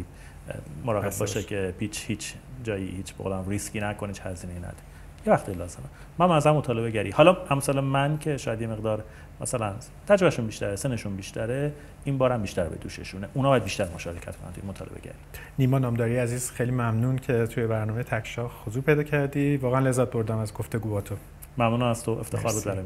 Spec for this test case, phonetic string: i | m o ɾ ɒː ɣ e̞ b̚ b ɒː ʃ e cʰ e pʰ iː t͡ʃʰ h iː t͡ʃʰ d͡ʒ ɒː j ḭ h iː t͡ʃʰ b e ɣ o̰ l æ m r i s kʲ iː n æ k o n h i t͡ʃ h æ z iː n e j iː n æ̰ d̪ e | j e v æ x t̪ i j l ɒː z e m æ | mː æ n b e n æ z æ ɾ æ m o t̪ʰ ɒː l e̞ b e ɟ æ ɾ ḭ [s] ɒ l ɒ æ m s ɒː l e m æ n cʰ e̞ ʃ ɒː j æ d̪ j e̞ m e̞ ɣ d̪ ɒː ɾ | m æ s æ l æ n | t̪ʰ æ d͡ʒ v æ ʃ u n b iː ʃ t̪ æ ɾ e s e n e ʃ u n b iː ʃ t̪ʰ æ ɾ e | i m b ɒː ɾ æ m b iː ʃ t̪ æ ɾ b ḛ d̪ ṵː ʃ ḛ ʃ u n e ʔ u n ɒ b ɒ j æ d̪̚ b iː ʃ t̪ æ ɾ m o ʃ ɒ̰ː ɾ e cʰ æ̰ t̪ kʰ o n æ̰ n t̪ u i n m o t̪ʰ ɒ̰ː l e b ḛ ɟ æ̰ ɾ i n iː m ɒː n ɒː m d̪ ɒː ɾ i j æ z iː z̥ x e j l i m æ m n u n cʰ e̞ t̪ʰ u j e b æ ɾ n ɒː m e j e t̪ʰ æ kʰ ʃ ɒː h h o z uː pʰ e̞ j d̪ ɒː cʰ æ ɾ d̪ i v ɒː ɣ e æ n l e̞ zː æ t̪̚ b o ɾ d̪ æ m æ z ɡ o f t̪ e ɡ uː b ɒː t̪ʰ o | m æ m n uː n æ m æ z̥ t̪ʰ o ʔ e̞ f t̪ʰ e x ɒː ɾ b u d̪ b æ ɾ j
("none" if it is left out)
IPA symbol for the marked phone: h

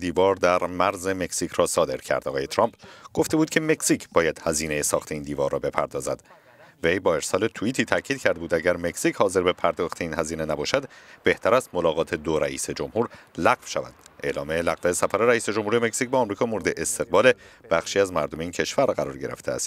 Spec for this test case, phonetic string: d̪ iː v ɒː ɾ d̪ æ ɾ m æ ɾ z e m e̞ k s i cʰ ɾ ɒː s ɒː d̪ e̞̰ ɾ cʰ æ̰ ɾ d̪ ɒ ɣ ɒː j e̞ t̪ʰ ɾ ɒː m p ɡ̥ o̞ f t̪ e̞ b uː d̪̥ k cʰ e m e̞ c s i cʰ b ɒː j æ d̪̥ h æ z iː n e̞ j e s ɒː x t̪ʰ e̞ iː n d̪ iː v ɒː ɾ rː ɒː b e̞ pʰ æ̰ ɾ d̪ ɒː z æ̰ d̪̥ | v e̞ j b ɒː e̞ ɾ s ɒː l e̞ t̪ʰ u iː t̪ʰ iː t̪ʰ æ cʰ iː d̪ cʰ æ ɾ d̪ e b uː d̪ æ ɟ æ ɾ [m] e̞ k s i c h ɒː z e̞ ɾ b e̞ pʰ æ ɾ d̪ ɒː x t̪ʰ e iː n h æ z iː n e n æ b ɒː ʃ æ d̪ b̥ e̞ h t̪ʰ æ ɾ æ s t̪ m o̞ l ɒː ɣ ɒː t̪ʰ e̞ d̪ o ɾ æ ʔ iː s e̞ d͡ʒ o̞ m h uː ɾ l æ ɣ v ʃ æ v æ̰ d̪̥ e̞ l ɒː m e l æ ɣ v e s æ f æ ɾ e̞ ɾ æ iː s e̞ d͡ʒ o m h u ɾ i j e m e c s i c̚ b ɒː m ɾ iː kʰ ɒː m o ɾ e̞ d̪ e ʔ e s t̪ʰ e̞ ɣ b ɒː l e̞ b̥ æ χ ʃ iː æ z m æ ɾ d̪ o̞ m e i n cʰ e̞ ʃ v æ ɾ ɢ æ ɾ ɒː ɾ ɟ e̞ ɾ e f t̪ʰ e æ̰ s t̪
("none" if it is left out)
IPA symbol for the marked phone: m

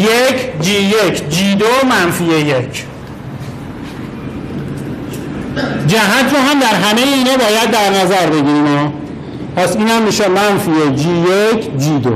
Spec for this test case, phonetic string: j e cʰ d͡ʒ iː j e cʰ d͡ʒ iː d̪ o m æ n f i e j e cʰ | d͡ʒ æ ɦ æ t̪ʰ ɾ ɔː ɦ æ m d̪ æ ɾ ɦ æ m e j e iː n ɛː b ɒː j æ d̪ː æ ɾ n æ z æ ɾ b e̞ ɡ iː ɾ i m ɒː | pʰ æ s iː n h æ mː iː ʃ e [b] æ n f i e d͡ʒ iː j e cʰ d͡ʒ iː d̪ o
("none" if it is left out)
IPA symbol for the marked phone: m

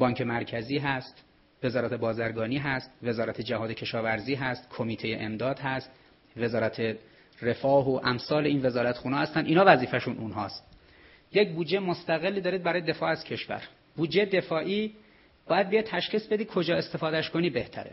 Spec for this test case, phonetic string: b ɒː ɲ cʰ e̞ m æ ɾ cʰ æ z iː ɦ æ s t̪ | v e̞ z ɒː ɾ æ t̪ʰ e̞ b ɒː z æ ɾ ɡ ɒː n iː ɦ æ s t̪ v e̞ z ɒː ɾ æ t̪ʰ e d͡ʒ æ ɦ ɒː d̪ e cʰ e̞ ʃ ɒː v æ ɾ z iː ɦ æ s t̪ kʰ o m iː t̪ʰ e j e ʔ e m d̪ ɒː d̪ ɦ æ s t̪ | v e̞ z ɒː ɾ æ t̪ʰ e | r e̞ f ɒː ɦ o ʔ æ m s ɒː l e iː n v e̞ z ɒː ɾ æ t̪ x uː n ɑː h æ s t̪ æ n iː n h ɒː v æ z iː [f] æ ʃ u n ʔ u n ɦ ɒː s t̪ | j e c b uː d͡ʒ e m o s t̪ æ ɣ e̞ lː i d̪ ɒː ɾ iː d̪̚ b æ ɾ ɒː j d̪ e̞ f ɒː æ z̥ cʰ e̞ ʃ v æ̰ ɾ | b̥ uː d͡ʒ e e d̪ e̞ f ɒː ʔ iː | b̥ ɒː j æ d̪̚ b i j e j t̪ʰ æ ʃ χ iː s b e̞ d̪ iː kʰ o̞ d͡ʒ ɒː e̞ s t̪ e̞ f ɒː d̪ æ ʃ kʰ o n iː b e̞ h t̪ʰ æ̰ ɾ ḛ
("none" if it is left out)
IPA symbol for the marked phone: f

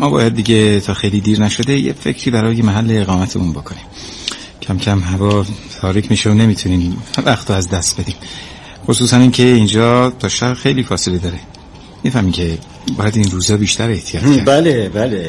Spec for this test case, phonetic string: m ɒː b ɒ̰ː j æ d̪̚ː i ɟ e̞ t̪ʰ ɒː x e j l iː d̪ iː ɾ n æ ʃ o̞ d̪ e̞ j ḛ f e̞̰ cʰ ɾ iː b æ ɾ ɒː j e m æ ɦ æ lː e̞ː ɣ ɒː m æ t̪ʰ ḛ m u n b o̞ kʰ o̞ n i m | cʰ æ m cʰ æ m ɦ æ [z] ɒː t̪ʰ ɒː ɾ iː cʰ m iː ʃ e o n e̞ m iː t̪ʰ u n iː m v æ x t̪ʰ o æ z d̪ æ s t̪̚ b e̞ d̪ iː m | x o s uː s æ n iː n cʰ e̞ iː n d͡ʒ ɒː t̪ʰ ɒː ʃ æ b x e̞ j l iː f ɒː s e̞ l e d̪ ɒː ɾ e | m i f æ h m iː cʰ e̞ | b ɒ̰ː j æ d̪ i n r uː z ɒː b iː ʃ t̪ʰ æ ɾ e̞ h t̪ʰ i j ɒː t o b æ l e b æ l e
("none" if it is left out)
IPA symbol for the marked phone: v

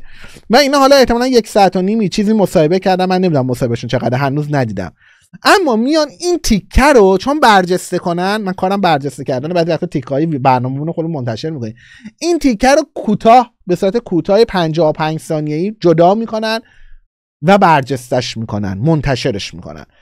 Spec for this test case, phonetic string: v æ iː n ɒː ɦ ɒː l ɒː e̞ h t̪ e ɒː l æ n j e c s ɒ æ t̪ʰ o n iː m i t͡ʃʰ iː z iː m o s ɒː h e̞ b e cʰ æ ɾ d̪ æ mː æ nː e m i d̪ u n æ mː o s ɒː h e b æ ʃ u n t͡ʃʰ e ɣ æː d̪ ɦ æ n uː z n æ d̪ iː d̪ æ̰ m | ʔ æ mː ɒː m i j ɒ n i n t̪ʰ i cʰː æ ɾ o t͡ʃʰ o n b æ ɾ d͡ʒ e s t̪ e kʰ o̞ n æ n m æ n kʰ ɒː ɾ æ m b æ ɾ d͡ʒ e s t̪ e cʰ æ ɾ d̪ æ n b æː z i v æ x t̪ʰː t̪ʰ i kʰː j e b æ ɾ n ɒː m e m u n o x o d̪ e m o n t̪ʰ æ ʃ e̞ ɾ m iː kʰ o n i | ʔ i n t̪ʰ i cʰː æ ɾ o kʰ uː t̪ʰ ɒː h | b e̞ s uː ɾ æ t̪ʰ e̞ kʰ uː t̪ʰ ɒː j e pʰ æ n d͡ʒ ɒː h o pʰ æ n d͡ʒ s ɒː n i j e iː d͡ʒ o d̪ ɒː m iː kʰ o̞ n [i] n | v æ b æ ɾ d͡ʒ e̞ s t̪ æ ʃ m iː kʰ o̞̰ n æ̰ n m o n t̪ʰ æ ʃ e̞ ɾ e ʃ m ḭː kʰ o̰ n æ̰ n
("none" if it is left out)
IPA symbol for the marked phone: æ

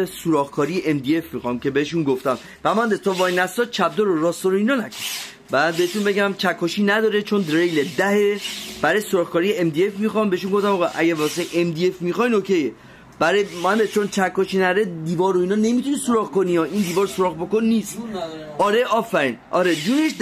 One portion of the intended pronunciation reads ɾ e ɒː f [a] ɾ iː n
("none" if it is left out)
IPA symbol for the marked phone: æ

